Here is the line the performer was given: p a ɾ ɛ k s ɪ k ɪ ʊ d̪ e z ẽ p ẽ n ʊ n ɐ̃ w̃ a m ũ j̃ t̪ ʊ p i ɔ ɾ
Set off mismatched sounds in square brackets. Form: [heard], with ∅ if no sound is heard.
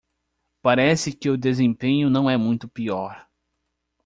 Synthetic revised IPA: p a ɾ ɛ [∅] s ɪ k ɪ ʊ d̪ e z ẽ p ẽ [ɲ] ʊ n ɐ̃ w̃ [ɛ] m ũ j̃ t̪ ʊ p i ɔ ɾ